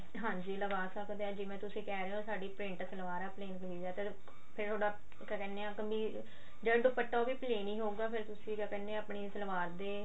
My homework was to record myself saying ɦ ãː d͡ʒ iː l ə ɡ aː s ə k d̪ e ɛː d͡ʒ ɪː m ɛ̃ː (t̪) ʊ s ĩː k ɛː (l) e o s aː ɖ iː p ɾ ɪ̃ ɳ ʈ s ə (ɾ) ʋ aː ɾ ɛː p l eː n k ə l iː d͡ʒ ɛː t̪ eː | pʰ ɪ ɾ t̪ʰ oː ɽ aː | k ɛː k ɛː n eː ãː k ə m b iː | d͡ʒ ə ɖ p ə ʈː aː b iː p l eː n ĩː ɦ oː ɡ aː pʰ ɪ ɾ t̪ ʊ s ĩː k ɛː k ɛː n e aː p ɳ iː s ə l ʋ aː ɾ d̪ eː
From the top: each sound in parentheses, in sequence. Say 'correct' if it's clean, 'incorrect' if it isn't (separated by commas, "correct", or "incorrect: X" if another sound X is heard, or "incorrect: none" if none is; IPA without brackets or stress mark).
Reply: correct, incorrect: ɾ, incorrect: l